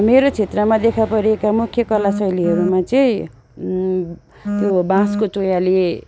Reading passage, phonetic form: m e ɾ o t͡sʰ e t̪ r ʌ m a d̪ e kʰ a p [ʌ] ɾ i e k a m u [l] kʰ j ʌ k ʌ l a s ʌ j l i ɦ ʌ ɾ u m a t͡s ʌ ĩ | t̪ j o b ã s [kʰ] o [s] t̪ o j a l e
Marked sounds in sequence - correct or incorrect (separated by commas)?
correct, incorrect, incorrect, incorrect